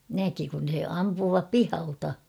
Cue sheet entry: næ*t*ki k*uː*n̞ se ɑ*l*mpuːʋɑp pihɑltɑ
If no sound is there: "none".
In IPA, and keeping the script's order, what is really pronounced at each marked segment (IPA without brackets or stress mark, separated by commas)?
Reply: none, u, none